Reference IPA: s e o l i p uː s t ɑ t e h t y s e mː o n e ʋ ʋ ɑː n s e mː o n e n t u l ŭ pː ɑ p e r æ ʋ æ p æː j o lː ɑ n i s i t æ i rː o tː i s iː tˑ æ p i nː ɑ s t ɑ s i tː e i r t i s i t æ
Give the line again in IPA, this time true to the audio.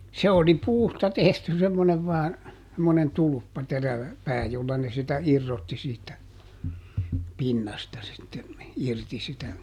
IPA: s e o l i p uː s t ɑ t e h t y s e mː o n e ʋ ʋ ɑː n s e mː o n e n t u l ŭ pː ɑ t e r æ ʋ æ p æː j o lː ɑ n e s i t æ i rː o tː i s iː tˑ æ p i nː ɑ s t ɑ s i tː e i r t i s i t æ